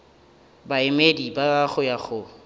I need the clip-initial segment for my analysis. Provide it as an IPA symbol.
b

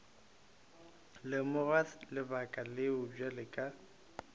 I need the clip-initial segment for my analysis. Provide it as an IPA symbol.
l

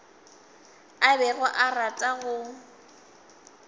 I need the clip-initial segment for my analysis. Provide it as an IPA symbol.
a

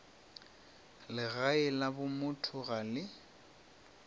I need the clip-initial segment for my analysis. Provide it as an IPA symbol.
l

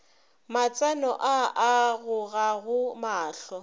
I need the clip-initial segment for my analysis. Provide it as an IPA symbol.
m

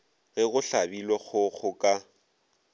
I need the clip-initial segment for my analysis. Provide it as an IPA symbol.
ɣ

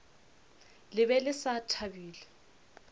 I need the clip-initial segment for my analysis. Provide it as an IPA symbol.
l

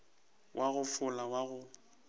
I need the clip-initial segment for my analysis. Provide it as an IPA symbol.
w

